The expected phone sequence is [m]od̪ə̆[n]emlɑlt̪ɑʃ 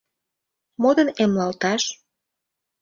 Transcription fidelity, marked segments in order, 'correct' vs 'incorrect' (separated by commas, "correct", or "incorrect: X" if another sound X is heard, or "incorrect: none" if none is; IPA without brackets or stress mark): correct, correct